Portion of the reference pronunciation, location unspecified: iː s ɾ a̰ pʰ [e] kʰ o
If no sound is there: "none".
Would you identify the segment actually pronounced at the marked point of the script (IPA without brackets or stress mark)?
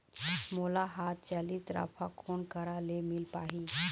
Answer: a